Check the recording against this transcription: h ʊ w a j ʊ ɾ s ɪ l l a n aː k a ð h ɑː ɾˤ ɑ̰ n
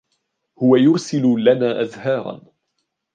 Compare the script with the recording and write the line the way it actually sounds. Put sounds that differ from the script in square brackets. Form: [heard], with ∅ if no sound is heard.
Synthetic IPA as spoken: h ʊ w a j ʊ ɾ s ɪ l l a n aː [ʔ] a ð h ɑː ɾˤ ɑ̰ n